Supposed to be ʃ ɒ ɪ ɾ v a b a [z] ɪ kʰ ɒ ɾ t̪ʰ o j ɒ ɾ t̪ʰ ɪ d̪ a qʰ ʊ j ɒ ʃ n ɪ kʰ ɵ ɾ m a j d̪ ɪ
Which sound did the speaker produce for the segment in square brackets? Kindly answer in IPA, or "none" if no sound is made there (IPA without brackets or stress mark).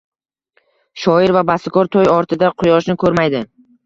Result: s